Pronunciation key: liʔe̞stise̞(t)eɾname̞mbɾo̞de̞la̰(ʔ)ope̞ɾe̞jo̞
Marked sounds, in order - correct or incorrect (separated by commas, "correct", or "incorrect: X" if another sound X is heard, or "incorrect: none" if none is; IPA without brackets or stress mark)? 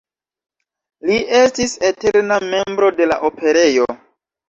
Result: correct, correct